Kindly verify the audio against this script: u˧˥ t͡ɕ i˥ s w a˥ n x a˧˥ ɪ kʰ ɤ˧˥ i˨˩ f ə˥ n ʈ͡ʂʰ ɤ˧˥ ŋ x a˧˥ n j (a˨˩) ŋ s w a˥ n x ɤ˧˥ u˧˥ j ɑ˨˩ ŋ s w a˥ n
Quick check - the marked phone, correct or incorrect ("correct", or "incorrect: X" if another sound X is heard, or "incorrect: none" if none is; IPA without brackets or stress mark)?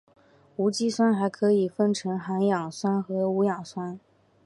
incorrect: ɑ˨˩